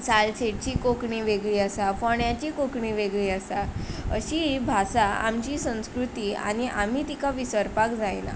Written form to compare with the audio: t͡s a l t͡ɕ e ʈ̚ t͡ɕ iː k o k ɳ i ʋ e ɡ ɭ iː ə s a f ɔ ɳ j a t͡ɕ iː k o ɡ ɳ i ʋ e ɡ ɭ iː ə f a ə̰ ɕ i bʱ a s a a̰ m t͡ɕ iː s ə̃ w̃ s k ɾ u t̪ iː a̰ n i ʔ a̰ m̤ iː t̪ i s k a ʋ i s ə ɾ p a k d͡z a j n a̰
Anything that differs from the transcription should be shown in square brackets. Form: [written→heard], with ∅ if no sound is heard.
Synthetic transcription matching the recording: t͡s a l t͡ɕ e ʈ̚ t͡ɕ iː k o k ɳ i ʋ e ɡ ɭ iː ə s a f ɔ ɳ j a t͡ɕ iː k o [ɡ→k] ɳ i ʋ e ɡ ɭ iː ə [f→s] a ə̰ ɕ i bʱ a s a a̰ m t͡ɕ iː s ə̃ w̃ s k ɾ u t̪ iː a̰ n i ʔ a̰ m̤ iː t̪ i [s→∅] k a ʋ i s ə ɾ p a k d͡z a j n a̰